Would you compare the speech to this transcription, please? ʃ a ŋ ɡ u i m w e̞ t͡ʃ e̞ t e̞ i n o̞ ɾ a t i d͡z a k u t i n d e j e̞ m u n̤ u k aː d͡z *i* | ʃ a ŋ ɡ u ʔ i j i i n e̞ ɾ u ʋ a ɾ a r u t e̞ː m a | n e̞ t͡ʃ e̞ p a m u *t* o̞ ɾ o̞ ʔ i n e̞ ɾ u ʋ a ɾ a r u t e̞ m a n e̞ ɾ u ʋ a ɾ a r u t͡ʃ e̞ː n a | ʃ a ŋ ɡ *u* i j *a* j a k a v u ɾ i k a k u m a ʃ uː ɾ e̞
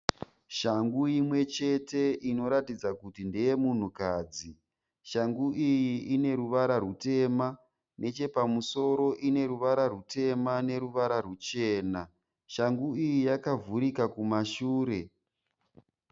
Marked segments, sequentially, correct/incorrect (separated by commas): correct, incorrect, correct, incorrect